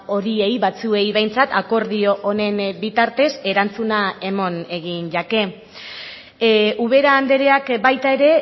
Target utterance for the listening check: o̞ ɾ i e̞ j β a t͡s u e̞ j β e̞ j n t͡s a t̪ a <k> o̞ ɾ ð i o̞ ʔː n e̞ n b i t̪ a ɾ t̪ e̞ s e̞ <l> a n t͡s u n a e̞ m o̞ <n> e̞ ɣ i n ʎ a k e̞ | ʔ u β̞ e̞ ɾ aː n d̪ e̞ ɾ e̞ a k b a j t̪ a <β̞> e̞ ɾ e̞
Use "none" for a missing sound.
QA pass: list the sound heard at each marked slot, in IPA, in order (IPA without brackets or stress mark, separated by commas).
k, ɾ, n, none